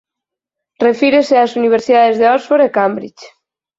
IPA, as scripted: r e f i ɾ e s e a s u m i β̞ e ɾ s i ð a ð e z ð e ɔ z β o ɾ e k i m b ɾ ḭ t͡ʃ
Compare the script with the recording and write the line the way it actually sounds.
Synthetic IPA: r e f i ɾ e s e a s u n i β̞ e ɾ s i ð a ð e z ð e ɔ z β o ɾ e k a m b ɾ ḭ t͡ʃ